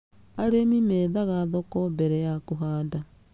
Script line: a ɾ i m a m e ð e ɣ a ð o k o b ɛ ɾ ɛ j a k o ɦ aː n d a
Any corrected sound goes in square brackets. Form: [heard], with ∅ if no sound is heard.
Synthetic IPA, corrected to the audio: a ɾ [e] m [i] m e ð [a] ɣ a ð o k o b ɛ ɾ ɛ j a k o ɦ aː n d a